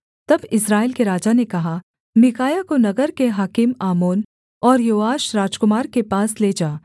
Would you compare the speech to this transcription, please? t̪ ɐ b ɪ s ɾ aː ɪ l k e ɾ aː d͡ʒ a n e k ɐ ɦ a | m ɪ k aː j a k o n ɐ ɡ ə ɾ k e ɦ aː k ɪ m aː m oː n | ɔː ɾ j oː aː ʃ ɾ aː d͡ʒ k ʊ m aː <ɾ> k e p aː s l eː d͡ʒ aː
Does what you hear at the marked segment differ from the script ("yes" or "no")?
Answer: no